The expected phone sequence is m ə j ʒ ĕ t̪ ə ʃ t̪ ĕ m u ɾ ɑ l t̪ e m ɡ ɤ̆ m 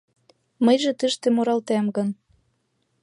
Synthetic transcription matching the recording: m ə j ʒ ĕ t̪ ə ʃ t̪ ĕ m o ɾ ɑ l t̪ æ m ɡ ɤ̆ n